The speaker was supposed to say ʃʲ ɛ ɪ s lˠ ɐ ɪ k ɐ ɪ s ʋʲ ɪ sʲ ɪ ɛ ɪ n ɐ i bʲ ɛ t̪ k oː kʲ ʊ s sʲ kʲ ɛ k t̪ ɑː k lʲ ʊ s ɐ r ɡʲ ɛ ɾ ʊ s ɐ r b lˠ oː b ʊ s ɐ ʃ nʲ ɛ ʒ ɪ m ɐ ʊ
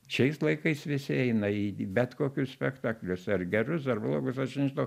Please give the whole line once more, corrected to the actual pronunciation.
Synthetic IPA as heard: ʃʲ ɛ ɪ s lˠ ɐ ɪ k ɐ ɪ s ʋʲ ɪ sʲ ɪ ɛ ɪ n ɐ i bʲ ɛ t̪ k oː kʲ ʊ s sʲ pʲ ɛ k t̪ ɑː k lʲ ʊ s ɐ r ɡʲ ɛ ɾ ʊ s ɐ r b lˠ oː ɡ ʊ s ɐ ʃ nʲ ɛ ʒ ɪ n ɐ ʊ